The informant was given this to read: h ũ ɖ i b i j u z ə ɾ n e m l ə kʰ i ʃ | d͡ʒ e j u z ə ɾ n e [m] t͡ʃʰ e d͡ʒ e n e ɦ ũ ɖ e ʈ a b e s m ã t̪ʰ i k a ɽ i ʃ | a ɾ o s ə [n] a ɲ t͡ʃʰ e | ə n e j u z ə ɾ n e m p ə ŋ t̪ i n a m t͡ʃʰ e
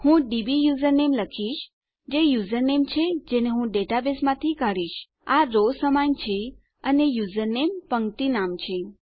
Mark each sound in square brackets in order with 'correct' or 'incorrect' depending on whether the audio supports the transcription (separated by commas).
correct, incorrect